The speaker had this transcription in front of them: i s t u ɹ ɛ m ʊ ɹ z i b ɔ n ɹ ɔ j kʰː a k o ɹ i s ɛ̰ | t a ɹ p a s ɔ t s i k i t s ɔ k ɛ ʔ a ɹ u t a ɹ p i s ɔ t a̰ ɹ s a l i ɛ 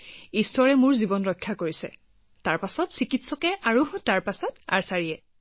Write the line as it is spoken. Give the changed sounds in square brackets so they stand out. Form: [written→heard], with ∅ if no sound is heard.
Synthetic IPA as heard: i s t [u→ɔ] ɹ ɛ m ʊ ɹ z i b ɔ n ɹ ɔ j kʰː a k o ɹ i s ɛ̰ | t a ɹ p a s ɔ t s i k i t s ɔ k ɛ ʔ a ɹ u t a ɹ p [i→a] s ɔ t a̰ ɹ s a [l→ɹ] i ɛ